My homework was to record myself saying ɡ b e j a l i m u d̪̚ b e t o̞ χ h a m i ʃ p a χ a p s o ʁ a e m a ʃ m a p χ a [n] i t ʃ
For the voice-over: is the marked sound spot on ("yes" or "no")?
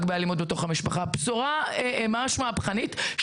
yes